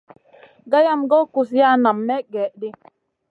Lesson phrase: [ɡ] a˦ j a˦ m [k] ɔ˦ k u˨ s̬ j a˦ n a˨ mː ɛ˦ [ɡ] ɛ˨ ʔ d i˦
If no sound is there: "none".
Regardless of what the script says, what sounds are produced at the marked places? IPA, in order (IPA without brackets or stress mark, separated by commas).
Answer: ɡ, ɡ, ɡ